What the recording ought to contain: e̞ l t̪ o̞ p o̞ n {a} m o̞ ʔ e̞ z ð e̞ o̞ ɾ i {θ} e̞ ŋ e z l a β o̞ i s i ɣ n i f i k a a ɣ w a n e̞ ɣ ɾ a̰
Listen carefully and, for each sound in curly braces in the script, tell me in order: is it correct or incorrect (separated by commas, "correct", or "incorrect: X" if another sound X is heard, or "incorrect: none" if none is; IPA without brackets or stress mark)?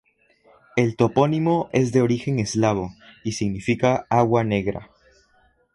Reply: incorrect: i, incorrect: x